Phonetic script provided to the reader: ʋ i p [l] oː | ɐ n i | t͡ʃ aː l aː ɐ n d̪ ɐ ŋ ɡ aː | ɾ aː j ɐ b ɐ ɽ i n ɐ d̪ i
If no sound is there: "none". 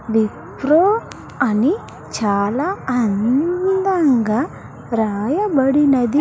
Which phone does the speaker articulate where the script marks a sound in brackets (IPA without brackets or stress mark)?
ɾ